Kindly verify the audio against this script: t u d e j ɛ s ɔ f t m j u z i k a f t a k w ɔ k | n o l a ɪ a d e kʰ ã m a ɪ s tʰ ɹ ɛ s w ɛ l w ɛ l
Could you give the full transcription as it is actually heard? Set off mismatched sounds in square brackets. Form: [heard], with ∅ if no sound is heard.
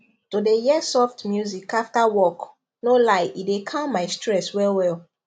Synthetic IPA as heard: t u d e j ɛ s ɔ f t m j u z i k a f t a [∅] w ɔ k | n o l a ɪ [i] d e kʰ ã m a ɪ s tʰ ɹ ɛ s w ɛ l w ɛ l